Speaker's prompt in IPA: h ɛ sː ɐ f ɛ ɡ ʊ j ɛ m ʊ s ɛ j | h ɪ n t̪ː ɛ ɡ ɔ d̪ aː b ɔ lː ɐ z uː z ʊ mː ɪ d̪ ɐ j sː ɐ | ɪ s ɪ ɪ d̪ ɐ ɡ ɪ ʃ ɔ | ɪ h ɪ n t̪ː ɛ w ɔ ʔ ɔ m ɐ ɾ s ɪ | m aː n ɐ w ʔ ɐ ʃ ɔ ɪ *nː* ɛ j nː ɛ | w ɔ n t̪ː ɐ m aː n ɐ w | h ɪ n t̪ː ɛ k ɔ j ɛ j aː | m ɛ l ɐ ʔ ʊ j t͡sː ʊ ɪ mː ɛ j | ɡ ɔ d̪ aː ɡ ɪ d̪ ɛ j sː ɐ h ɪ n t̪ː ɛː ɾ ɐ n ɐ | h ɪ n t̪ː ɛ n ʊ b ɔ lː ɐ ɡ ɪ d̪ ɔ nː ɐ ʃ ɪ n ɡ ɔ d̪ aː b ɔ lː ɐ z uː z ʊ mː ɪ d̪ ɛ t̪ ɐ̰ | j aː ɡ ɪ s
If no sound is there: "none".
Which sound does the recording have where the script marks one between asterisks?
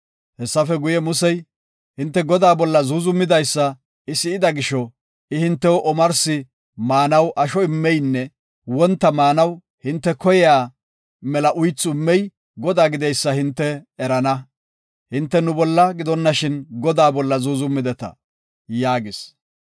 mː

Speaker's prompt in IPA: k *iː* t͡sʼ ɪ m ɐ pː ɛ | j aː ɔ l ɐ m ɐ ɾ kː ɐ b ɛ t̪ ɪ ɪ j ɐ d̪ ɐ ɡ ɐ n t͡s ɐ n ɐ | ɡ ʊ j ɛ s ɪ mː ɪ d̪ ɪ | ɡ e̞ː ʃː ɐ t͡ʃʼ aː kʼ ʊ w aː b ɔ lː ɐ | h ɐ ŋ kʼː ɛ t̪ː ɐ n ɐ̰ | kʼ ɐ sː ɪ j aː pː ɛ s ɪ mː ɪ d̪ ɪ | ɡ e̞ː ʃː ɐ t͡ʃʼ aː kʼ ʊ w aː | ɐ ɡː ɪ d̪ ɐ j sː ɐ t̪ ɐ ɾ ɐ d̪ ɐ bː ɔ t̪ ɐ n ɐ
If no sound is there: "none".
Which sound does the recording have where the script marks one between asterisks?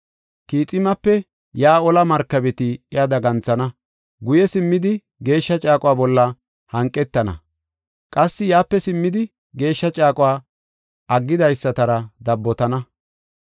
iː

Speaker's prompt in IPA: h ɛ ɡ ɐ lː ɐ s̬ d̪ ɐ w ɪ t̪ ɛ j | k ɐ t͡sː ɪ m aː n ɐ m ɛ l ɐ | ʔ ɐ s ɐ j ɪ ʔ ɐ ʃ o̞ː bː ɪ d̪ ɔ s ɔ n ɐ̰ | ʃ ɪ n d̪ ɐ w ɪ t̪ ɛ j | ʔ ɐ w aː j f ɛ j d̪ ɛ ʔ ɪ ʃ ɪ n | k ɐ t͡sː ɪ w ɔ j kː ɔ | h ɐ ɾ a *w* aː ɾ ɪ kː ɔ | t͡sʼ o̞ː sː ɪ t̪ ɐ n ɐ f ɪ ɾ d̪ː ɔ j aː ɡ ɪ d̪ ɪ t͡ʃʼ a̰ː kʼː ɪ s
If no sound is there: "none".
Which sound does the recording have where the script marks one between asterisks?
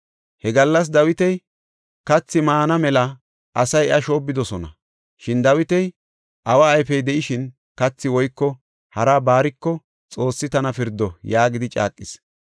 b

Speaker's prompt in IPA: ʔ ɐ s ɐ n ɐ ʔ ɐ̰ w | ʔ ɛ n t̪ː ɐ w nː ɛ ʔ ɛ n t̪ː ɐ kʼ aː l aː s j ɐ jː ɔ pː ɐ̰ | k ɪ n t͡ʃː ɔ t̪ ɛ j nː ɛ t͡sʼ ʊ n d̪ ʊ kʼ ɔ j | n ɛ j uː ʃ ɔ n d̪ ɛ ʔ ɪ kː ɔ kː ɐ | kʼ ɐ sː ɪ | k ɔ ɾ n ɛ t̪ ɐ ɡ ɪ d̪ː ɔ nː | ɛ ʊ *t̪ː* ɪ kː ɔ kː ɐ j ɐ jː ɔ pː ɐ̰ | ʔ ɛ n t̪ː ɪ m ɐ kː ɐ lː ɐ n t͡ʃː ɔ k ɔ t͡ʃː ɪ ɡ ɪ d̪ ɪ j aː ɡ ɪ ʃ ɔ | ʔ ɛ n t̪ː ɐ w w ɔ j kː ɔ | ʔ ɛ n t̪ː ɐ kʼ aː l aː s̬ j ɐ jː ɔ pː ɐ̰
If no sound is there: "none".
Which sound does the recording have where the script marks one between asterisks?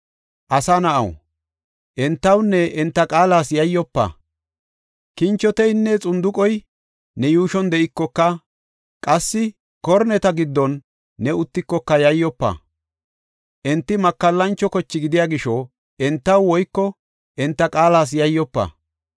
t̪ː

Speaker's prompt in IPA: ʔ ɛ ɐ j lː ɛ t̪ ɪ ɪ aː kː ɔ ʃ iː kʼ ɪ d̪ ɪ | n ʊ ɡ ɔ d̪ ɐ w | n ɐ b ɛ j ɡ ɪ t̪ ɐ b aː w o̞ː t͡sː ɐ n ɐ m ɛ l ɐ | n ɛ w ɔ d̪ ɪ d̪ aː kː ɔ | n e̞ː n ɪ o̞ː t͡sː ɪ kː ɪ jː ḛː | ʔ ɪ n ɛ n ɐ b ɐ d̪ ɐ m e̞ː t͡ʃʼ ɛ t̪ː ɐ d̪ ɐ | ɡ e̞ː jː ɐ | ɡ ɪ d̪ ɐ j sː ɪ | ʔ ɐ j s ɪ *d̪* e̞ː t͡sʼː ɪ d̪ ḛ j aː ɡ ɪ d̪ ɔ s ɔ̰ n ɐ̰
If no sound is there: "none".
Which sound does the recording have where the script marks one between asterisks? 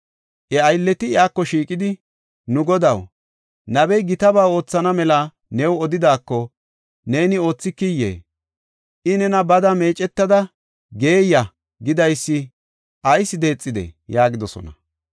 d̪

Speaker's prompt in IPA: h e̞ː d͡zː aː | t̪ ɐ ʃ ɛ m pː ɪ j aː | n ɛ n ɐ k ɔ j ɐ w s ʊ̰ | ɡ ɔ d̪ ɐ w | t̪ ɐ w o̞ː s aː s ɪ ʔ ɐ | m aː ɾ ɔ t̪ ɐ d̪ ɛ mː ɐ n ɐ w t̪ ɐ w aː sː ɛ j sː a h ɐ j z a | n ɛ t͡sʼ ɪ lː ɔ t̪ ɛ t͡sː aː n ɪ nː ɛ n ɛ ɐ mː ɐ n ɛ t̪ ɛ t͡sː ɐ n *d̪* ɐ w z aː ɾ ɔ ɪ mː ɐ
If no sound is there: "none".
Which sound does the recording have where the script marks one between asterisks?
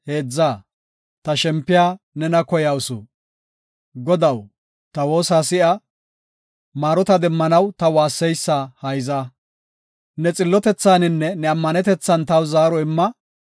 t̪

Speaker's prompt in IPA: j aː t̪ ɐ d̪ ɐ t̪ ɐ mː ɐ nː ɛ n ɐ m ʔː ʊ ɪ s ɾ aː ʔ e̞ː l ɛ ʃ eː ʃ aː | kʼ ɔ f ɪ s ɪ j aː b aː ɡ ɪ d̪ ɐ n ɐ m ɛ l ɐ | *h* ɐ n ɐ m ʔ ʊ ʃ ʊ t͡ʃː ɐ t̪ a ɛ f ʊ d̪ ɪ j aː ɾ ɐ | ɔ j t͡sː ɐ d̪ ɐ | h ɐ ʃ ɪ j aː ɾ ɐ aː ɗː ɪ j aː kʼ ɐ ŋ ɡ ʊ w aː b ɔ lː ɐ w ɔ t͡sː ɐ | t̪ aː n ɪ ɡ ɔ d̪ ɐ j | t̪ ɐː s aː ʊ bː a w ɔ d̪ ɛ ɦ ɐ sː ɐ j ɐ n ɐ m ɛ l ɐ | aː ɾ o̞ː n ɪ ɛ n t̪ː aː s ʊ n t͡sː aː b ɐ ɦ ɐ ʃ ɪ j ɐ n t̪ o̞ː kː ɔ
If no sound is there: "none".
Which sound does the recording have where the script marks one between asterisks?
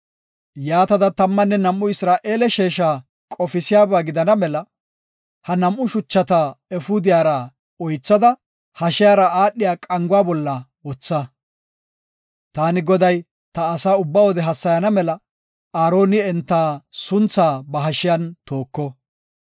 h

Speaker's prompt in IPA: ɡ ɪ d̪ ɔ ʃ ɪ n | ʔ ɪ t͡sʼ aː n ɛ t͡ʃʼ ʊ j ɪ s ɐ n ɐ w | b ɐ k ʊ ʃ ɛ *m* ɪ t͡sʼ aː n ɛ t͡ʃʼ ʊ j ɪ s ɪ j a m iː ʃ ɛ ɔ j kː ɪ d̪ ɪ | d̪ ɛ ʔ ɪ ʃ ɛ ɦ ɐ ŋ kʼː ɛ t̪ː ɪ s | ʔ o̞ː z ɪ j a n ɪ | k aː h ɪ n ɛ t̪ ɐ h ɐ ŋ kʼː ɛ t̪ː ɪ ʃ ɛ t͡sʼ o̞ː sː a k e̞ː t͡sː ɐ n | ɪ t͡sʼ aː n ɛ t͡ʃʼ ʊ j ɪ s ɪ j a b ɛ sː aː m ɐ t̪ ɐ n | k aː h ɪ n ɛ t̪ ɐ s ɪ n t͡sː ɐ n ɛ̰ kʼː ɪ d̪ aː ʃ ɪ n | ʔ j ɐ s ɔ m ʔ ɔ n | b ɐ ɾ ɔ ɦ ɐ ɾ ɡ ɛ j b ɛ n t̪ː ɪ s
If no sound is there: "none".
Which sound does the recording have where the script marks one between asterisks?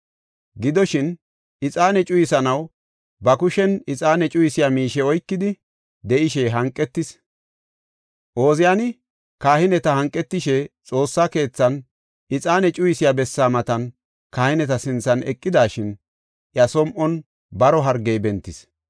n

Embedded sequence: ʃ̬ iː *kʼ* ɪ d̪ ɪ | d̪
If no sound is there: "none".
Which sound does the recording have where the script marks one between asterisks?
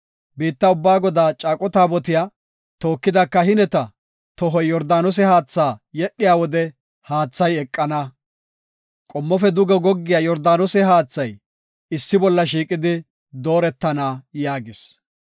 kʼ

